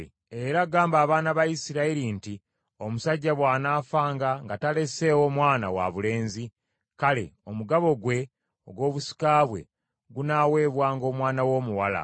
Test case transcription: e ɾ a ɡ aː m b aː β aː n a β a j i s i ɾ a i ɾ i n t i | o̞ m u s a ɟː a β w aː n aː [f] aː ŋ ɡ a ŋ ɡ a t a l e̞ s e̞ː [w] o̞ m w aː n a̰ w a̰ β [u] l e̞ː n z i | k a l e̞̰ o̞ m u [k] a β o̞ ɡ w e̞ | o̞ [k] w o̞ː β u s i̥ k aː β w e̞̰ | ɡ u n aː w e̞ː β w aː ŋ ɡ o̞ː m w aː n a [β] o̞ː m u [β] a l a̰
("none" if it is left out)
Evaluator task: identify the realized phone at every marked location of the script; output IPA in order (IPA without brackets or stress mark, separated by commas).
f, w, u, ɡ, ɡ, w, w